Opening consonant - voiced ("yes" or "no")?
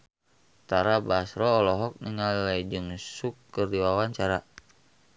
no